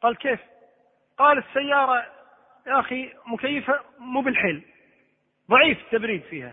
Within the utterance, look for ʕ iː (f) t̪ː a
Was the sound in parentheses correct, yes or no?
yes